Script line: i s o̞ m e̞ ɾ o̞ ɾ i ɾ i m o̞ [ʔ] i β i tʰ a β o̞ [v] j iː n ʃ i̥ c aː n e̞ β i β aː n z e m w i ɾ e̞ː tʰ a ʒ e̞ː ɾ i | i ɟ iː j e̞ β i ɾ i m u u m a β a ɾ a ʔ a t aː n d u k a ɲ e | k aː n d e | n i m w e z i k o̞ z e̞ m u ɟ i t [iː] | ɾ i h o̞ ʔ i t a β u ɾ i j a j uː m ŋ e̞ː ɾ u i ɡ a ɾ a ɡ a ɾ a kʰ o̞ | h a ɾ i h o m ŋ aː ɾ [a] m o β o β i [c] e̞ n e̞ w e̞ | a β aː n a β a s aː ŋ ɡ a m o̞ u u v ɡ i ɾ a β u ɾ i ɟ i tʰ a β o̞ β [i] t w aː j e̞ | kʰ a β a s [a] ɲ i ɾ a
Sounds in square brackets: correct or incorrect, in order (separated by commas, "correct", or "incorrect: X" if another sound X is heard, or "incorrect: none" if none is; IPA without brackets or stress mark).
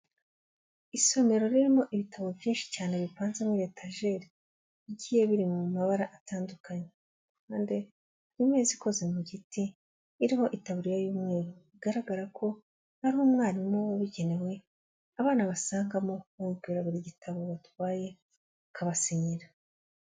correct, correct, correct, incorrect: i, incorrect: ɟ, incorrect: a, incorrect: i